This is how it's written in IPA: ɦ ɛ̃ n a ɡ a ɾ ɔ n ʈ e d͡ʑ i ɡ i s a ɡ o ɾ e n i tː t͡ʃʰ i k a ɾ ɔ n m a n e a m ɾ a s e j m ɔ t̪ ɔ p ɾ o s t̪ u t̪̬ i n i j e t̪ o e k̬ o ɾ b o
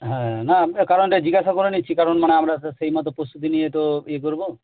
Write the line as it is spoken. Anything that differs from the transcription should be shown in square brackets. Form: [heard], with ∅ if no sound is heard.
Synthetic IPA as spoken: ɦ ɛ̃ n a [k] a ɾ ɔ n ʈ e d͡ʑ i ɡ [a] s a [k] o ɾ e n i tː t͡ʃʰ i k a ɾ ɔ n m a n e a m ɾ a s e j m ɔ t̪ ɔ p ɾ o s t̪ u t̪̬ i n i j e t̪ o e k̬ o ɾ b o

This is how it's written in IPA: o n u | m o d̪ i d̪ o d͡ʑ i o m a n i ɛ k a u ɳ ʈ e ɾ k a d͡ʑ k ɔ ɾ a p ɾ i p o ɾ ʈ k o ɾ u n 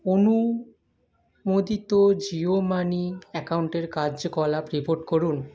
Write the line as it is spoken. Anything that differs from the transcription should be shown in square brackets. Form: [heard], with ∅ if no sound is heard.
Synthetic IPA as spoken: o n u | m o d̪ i [t̪] o d͡ʑ i o m a n i ɛ k a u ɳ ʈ e ɾ k a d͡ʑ k ɔ [l] a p ɾ i p o ɾ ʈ k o ɾ u n

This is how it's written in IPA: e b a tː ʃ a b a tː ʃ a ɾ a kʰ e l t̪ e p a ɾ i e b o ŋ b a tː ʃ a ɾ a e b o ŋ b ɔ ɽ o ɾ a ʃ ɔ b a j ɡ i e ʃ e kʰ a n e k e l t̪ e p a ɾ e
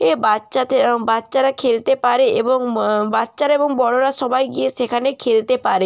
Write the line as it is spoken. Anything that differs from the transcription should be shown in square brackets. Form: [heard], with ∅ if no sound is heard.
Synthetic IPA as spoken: e b a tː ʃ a b a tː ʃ a ɾ a kʰ e l t̪ e p a ɾ [e] e b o ŋ b a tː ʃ a ɾ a e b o ŋ b ɔ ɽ o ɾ a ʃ ɔ b a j ɡ i e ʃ e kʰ a n e [kʰ] e l t̪ e p a ɾ e

